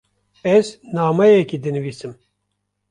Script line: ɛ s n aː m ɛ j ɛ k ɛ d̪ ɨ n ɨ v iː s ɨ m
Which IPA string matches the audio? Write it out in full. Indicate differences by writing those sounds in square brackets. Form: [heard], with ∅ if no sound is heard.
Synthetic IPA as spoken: ɛ [z] n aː m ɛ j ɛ k [i] d̪ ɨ n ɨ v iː s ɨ m

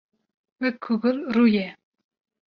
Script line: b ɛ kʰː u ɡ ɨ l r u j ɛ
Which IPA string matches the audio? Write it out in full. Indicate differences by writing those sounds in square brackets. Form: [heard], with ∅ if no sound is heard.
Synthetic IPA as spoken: [w] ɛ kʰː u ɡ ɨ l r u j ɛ

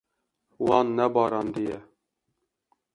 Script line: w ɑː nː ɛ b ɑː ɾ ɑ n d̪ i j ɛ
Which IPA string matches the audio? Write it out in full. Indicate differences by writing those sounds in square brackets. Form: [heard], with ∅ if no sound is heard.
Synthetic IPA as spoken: w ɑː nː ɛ b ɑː ɾ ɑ n d̪ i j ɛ

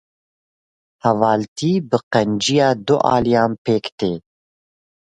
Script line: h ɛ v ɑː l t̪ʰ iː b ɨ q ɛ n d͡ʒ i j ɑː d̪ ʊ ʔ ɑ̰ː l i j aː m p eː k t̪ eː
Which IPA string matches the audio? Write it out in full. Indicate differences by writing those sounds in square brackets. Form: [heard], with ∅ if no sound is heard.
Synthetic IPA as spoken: h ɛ v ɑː l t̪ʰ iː b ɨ q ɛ n d͡ʒ i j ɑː d̪ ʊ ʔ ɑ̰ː l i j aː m p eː k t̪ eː

